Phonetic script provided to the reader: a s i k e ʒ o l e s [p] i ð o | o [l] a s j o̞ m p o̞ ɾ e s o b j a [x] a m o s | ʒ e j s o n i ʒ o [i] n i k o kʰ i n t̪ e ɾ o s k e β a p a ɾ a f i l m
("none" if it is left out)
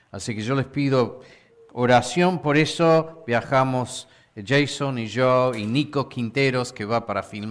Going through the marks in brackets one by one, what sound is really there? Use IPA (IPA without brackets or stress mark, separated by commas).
p, ɾ, x, i